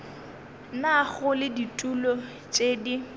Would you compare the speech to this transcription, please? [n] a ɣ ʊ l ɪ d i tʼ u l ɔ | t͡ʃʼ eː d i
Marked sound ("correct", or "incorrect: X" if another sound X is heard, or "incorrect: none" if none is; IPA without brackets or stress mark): correct